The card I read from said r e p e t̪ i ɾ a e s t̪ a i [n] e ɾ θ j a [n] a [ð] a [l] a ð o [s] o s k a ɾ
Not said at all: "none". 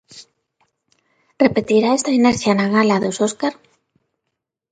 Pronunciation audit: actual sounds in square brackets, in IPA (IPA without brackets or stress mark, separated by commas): n, n, ɣ, l, s